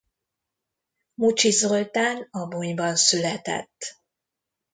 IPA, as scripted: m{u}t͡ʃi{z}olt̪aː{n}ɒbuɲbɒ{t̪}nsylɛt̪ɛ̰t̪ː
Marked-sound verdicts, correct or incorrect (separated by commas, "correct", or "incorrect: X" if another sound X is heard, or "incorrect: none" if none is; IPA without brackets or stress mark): correct, correct, correct, incorrect: none